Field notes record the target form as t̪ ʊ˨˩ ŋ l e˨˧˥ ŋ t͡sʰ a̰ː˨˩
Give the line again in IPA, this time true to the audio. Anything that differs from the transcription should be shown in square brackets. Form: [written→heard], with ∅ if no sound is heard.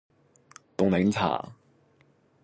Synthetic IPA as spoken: t̪ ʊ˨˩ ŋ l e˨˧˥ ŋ t͡sʰ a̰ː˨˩